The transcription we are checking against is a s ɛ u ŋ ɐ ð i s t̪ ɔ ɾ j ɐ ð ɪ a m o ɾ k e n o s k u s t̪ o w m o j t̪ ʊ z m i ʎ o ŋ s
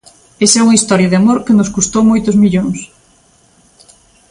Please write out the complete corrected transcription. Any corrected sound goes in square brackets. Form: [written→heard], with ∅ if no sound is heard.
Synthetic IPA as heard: [a→e] s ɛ u ŋ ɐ [ð→∅] i s t̪ ɔ ɾ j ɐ ð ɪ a m o ɾ k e n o s k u s t̪ o w m o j t̪ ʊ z m i ʎ o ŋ s